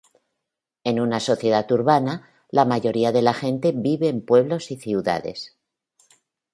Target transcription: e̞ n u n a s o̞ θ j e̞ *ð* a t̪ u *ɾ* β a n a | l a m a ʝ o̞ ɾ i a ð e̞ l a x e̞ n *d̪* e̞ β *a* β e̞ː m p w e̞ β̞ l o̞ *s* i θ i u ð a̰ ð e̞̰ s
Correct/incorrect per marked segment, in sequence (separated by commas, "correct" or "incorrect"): correct, correct, incorrect, incorrect, correct